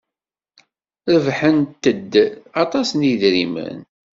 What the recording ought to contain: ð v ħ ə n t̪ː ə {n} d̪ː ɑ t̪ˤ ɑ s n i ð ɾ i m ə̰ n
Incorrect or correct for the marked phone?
incorrect: none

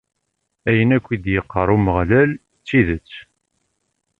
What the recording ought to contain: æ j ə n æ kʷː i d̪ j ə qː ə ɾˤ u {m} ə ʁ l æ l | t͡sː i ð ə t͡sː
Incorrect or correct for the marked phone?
correct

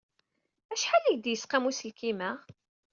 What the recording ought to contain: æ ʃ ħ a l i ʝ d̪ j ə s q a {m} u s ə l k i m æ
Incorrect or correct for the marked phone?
correct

